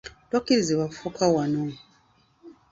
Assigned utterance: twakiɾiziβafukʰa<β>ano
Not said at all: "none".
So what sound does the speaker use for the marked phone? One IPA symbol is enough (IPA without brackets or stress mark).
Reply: w